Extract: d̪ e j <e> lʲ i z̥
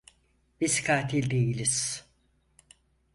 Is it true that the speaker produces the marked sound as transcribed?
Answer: no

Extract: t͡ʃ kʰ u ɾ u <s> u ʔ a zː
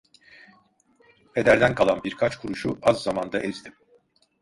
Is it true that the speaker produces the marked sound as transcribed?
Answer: no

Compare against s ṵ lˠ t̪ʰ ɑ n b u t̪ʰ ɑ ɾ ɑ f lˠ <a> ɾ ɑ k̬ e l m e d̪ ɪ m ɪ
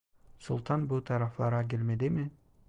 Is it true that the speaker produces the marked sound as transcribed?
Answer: no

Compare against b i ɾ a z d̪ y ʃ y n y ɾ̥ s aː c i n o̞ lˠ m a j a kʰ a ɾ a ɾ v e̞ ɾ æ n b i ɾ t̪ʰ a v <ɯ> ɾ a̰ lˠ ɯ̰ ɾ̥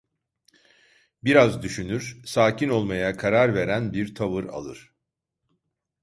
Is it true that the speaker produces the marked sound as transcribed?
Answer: yes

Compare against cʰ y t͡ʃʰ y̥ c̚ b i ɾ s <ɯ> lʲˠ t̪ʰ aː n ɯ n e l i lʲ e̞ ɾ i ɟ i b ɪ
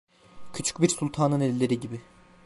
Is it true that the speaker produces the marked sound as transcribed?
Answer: no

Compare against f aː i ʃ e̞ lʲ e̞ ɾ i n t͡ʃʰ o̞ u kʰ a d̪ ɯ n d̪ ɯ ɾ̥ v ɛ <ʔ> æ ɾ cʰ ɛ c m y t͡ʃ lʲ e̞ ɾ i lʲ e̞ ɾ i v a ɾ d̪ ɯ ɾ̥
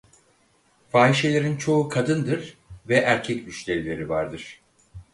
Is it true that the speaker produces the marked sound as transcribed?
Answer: yes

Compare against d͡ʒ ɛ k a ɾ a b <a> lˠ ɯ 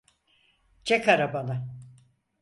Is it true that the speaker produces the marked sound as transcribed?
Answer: yes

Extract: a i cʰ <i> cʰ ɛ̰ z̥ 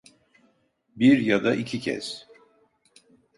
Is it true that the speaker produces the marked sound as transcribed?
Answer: yes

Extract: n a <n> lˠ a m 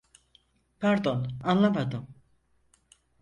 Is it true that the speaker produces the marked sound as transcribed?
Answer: yes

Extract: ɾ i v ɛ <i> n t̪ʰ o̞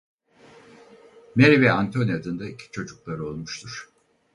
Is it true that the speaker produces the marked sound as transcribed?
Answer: no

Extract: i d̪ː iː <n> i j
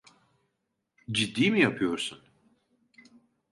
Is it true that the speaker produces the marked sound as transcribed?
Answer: no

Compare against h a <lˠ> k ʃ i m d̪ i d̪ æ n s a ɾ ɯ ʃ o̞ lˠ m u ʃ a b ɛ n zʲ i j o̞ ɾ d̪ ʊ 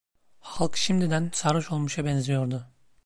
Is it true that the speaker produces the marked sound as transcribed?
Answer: yes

